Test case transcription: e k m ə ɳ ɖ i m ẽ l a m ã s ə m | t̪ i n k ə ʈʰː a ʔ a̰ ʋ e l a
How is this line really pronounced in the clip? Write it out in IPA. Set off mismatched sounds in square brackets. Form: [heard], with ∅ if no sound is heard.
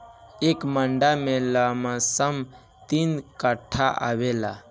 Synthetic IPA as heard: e k m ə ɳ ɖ [a] m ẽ l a m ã s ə m | t̪ i n k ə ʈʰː a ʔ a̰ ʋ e l a